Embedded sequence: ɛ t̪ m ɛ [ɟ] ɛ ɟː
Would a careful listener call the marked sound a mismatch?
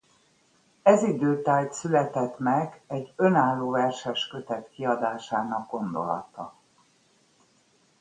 yes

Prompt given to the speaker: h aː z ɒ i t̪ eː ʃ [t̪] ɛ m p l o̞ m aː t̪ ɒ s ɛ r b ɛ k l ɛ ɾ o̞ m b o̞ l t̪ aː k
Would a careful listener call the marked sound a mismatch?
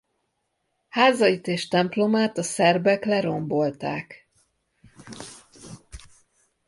no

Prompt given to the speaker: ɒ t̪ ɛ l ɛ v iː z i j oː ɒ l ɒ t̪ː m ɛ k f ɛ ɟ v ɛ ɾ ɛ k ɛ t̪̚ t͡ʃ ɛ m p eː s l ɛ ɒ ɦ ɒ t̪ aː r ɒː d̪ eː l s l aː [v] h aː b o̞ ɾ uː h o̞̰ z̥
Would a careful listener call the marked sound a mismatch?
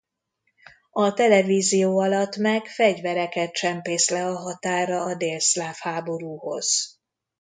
yes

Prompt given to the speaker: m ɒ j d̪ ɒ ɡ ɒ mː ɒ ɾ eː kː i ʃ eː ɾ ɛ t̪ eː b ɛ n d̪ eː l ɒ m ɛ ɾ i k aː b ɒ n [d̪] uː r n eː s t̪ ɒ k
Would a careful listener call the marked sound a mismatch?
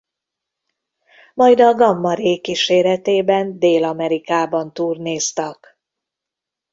yes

